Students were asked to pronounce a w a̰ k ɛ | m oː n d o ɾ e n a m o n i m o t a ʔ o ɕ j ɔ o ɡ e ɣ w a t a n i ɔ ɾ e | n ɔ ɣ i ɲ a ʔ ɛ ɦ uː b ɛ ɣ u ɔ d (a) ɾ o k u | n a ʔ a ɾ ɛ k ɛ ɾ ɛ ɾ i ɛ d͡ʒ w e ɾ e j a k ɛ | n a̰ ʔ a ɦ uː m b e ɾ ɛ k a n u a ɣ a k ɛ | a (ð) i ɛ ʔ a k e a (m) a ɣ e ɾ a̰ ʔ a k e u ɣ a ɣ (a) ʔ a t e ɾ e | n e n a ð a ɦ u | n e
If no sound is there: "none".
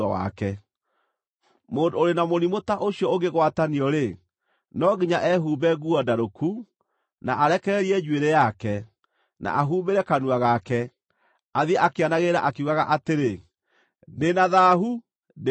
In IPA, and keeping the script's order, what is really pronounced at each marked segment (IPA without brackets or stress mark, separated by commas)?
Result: a, ð, n, a